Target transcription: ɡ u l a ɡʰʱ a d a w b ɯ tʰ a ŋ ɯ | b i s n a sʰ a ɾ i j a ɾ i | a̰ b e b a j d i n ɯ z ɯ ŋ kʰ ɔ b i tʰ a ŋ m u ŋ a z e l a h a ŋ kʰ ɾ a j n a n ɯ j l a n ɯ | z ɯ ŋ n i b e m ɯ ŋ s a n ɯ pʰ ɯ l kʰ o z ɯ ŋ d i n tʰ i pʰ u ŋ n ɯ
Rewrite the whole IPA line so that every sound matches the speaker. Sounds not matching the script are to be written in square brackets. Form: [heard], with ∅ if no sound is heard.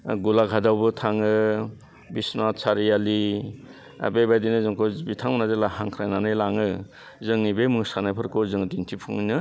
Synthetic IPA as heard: ɡ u l a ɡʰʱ a d a w b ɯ tʰ a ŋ ɯ | b i s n a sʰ a ɾ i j a [l] i | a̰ b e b a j d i n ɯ z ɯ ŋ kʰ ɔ b i tʰ a ŋ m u [n] a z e l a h a ŋ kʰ ɾ a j n a n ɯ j l a [ŋ] ɯ | z ɯ ŋ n i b e m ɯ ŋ s a n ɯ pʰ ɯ [ɾ] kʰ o z ɯ ŋ d i n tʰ i pʰ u ŋ n ɯ